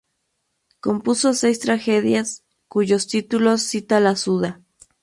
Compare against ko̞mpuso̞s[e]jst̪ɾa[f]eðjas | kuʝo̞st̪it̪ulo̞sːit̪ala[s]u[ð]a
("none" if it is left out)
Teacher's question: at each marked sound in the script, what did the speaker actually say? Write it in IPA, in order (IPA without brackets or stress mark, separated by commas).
e, x, s, ð